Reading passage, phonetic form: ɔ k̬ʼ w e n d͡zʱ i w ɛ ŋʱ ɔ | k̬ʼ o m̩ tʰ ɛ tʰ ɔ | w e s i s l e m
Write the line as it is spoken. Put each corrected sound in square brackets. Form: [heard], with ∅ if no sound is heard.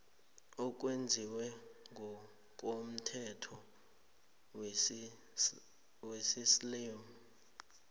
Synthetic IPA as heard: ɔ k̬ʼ w e n d͡zʱ i w ɛ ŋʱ ɔ | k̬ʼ o m̩ tʰ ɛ tʰ ɔ | w e s i s l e m